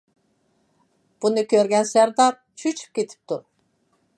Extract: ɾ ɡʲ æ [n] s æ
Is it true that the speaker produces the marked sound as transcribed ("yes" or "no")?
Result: yes